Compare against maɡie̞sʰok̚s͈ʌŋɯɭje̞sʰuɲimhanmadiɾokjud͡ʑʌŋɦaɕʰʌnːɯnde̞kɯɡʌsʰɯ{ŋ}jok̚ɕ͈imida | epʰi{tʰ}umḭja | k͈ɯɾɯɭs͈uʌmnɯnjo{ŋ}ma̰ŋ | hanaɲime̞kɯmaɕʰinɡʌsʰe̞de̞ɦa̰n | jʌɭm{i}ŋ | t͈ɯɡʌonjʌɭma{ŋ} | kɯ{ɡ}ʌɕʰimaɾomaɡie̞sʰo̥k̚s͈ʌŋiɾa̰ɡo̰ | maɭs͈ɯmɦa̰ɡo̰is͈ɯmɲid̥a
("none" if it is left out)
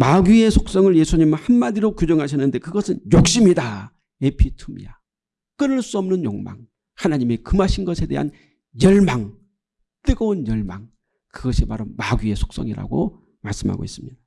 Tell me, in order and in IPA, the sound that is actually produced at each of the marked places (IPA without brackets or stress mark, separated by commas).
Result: n, tʰ, ŋ, a, ŋ, ɡ